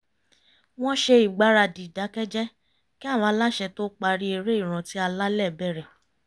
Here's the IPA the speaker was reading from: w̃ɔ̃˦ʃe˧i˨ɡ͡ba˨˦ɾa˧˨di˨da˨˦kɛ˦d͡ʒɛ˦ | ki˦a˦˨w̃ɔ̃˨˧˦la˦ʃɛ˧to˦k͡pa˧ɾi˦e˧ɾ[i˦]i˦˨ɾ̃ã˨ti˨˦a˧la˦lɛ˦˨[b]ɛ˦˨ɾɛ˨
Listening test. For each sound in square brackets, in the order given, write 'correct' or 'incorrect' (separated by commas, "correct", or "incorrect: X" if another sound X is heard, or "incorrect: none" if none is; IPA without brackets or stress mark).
incorrect: e˦, correct